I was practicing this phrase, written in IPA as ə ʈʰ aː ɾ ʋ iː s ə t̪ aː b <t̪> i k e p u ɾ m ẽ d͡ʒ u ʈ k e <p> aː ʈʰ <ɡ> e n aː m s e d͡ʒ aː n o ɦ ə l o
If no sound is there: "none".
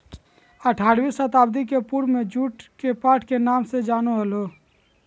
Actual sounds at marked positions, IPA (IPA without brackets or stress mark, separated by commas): d̪, p, k